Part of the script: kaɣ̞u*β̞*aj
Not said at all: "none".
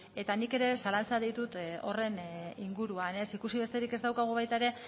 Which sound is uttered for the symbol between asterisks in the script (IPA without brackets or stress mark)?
β̞